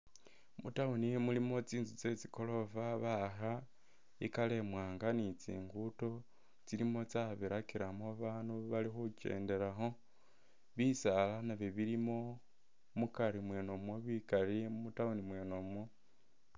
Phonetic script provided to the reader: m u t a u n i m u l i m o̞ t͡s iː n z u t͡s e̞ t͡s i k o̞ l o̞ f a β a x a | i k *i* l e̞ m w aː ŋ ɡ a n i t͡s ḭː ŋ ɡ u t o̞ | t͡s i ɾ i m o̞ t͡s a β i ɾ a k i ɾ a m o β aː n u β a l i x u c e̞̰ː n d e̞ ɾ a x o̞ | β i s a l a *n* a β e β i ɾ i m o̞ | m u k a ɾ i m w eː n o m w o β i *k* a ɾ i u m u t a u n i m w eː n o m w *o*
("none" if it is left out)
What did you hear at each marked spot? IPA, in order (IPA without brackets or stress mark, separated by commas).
a, n, k, o